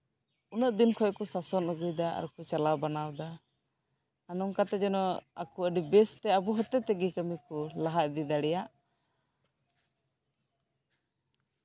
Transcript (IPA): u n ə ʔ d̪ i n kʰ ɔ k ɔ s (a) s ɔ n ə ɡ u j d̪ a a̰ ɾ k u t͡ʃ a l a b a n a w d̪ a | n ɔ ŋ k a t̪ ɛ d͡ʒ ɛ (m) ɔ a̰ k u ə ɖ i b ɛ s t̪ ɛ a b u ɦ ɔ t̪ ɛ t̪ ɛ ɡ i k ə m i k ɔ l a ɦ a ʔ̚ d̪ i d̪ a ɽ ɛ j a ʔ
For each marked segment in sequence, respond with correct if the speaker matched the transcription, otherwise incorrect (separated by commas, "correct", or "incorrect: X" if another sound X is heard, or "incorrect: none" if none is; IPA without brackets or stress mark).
correct, incorrect: n